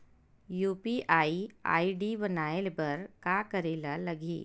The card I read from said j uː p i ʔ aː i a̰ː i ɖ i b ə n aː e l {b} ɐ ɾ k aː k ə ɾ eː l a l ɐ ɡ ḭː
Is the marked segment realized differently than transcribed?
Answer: no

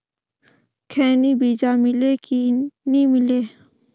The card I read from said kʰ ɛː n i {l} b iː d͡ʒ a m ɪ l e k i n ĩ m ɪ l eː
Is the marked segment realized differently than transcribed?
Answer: yes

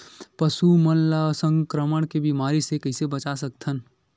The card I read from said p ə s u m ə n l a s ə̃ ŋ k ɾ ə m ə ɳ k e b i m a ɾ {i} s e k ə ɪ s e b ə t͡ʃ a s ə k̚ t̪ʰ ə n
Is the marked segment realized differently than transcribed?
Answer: no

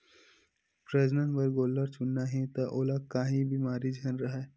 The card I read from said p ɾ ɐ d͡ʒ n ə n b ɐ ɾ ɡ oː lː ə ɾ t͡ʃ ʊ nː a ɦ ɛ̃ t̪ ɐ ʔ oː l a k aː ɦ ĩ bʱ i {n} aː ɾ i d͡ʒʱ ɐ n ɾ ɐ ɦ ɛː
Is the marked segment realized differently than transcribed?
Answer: yes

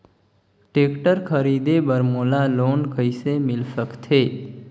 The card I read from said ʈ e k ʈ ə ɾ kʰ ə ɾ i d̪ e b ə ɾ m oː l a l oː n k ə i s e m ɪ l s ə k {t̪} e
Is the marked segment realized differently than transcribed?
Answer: yes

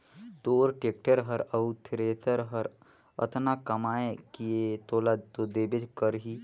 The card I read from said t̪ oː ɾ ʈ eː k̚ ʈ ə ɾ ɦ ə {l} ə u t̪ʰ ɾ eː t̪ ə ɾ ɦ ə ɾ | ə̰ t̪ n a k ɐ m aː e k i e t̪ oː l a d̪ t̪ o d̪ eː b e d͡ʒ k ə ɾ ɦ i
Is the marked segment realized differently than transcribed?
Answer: yes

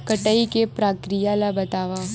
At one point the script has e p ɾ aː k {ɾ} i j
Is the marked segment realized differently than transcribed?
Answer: no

